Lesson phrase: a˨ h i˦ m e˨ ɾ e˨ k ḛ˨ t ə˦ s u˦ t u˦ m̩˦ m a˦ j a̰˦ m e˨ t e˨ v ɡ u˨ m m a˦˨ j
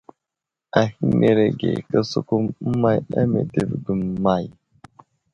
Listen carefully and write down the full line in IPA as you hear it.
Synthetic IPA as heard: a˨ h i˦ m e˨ ɾ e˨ ɡ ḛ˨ k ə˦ s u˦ k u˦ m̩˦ m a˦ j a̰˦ m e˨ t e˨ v ɡ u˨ m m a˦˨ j